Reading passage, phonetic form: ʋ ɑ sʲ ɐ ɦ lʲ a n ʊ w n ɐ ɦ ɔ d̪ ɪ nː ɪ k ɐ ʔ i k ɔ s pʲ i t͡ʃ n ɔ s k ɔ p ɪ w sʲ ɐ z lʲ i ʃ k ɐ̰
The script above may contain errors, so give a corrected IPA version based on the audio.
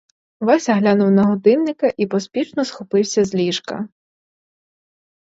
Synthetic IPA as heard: ʋ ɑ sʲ ɐ ɦ lʲ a n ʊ w n ɐ ɦ ɔ d̪ ɪ nː ɪ k ɐ ʔ i p ɔ s pʲ i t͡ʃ n ɔ s x ɔ p ɪ w sʲ ɐ z lʲ i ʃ k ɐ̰